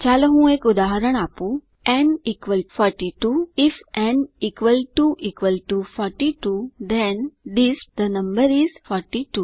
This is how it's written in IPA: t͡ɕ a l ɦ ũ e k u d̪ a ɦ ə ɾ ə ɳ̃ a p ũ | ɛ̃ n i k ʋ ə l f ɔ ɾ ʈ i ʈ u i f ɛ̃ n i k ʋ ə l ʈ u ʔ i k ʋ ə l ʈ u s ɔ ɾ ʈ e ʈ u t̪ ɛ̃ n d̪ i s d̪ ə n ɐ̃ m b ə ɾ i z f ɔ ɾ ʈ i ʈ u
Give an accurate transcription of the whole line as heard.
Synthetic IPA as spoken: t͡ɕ a l ɦ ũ e k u d̪ a ɦ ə ɾ ə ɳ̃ a p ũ | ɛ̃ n i k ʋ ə l f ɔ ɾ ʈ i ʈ u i f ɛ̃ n i k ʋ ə l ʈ u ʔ i k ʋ ə l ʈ u f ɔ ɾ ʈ i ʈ u d̪ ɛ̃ n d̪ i s d̪ ə n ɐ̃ m b ə ɾ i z f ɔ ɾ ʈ i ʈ u

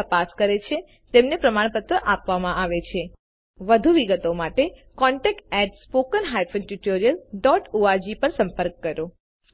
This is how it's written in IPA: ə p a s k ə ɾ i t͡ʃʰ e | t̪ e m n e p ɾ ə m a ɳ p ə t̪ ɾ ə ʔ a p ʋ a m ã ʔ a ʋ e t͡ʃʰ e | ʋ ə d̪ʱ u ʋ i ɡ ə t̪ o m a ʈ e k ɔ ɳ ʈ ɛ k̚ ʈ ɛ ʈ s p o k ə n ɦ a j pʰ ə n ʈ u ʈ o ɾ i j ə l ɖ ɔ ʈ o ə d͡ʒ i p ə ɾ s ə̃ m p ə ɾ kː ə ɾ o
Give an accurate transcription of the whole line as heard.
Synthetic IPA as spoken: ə p a s k ə ɾ e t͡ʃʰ e | t̪ e m n e p ɾ ə m a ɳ p ə t̪ ɾ ə ʔ a p ʋ a m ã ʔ a ʋ e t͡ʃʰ e | ʋ ə d̪ʱ u ʋ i ɡ ə t̪ o m a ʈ e k ɔ ɳ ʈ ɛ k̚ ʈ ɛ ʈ s p o k ə n ɦ a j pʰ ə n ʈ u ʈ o ɾ i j ə l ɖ ɔ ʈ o a d͡ʒ i p ə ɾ s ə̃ m p ə ɾ kː ə ɾ o

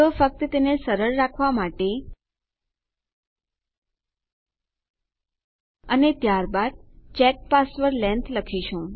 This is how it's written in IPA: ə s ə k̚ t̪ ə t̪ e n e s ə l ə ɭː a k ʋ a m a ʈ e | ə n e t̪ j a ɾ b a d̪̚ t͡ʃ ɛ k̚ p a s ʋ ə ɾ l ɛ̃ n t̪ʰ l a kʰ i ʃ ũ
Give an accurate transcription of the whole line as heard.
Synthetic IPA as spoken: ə f ə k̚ t̪ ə t̪ e n e s ə ɾ ə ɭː a kʰ ʋ a m a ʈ e | ə n e t̪ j a ɾ b a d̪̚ t͡ʃ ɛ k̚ p a s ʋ ə ɾ l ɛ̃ n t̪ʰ l ə kʰ i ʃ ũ

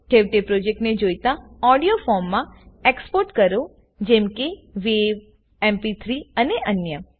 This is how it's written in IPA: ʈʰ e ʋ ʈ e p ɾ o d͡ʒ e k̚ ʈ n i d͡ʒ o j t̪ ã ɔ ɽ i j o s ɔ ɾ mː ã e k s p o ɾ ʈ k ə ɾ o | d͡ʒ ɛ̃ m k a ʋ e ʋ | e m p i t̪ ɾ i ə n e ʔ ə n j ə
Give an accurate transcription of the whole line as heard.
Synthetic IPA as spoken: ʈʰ e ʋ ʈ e p ɾ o d͡ʒ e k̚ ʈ n e d͡ʒ o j t̪ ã ɔ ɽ i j o f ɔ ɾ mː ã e k s p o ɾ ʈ k ə ɾ o | d͡ʒ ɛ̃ m k e ʋ e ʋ | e m p i t̪ʰ ɾ i ə n e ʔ ə n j ə

